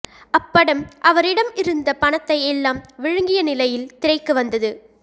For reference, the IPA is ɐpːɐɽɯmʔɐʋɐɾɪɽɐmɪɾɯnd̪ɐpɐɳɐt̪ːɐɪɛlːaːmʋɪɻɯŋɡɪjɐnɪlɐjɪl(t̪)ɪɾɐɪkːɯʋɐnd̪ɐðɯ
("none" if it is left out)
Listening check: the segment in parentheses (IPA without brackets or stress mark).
t̪